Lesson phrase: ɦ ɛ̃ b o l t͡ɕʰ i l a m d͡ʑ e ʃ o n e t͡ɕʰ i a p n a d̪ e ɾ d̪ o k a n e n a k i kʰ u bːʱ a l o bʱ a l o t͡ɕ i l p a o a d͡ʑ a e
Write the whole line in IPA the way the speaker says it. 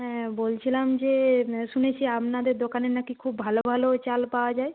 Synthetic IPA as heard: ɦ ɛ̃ b o l t͡ɕʰ i l a m d͡ʑ e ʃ u n e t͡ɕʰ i a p n a d̪ e ɾ d̪ o k a n e n a k i kʰ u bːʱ a l o bʱ a l o t͡ɕ a l p a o a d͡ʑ a e